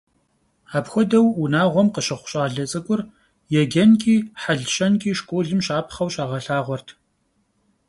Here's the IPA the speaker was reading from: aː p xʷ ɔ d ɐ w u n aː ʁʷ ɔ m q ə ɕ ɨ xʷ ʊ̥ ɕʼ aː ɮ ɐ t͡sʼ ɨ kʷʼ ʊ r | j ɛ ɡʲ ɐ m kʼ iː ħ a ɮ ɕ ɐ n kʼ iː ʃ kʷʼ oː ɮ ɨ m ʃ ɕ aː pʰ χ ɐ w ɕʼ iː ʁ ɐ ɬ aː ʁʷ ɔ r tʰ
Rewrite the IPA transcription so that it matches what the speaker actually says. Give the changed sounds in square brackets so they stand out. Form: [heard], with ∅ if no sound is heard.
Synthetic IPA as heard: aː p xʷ ɔ d ɐ w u n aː ʁʷ ɔ m q ə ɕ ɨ [χʷ] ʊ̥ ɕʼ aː ɮ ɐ t͡sʼ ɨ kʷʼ ʊ r | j ɛ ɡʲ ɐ [n] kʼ iː ħ a ɮ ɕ ɐ n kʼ iː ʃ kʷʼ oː ɮ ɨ m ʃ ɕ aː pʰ χ ɐ w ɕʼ [aː] ʁ ɐ ɬ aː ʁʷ ɔ r tʰ